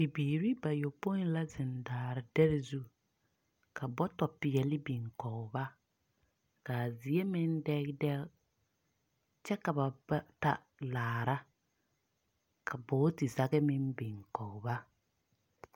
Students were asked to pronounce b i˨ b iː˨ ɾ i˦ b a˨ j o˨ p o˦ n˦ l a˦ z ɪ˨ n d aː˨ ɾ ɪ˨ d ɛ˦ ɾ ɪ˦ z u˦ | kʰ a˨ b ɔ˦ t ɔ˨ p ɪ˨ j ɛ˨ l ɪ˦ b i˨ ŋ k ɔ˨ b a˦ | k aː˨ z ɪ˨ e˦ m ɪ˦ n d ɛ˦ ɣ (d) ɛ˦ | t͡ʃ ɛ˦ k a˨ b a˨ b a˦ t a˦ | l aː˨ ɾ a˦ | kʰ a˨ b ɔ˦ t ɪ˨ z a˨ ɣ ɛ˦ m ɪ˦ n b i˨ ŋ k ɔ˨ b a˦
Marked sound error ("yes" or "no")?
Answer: no